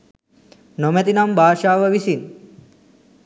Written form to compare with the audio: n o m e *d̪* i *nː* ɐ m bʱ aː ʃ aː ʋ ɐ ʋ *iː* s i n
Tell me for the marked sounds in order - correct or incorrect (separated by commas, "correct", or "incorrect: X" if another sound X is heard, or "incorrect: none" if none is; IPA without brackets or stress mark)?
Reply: incorrect: t̪, incorrect: n, incorrect: i